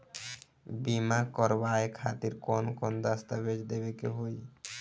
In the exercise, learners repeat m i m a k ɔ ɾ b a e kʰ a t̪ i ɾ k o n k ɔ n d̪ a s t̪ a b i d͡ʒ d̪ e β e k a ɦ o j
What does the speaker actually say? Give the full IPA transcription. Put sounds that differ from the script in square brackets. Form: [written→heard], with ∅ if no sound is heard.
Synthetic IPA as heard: [m→b] i m a k ɔ ɾ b a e kʰ a t̪ i ɾ k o n k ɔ n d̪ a s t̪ a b [i→e] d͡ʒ d̪ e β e k [a→e] ɦ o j

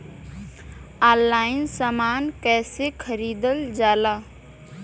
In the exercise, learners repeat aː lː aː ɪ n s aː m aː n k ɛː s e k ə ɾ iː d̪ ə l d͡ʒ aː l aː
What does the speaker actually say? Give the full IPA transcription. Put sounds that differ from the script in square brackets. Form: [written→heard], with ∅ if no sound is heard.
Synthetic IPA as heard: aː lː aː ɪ n s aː m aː n k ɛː s e [k→kʰ] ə ɾ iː d̪ ə l d͡ʒ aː l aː

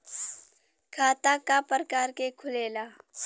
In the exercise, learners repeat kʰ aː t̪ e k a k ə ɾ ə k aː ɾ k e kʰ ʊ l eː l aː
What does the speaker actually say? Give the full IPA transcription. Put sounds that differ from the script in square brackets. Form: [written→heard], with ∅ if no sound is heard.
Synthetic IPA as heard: kʰ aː t̪ [e→a] k a [k→p] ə ɾ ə k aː ɾ k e kʰ ʊ l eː l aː

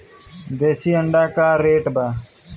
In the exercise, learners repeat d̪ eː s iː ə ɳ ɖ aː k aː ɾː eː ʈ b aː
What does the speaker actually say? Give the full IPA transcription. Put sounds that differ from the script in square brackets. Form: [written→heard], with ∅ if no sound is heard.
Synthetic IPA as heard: d̪ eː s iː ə ɳ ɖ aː k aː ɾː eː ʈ b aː

